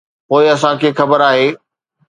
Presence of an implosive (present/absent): absent